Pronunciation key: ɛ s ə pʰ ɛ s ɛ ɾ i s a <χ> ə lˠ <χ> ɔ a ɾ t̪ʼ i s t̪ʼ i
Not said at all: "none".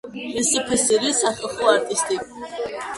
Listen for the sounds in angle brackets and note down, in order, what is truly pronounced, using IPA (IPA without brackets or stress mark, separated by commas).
χ, χ